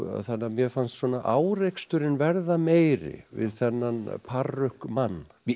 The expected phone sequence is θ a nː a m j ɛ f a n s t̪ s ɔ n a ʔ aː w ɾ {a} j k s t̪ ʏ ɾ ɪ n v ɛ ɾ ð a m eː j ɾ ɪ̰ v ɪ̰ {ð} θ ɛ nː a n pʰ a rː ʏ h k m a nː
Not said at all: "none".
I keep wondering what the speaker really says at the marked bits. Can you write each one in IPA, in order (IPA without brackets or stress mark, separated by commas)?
e, ð